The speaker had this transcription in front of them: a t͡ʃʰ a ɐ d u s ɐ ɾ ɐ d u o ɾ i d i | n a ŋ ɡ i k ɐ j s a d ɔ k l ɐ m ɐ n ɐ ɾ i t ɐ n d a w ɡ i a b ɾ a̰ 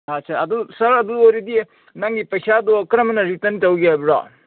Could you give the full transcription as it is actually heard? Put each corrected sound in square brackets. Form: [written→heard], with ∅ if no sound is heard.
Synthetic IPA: a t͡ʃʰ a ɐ d u s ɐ ɾ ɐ d u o ɾ i d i | n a ŋ ɡ i [k→p] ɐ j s a d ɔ k [l→ɾ] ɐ m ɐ n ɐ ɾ i t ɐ n [d→t] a w ɡ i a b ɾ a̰